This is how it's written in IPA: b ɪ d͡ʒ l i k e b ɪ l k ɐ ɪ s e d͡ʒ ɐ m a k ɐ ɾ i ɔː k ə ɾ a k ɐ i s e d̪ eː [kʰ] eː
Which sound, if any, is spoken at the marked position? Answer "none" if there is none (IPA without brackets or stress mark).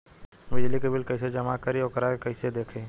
kʰ